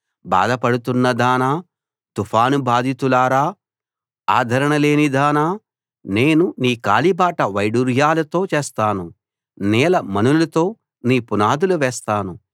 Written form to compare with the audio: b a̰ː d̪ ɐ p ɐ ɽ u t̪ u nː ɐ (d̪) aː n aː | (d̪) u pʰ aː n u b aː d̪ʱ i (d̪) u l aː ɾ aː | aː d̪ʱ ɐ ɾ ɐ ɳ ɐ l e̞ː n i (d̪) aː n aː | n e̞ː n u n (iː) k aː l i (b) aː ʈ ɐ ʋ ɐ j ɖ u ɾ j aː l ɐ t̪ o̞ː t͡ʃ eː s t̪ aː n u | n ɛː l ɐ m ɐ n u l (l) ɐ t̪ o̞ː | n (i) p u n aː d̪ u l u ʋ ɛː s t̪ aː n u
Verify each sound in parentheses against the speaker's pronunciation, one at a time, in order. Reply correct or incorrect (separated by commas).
correct, incorrect, incorrect, correct, correct, correct, correct, incorrect